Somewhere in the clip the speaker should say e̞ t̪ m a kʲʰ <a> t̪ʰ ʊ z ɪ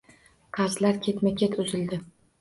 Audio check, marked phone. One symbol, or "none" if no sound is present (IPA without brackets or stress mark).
e